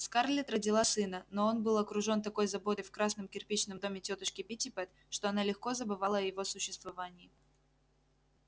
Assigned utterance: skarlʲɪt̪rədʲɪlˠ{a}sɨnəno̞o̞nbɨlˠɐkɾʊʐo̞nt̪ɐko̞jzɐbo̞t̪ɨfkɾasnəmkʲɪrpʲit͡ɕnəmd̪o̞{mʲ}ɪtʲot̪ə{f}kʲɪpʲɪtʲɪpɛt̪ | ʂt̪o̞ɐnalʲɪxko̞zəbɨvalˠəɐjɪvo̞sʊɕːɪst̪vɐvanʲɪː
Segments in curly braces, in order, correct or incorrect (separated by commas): correct, correct, incorrect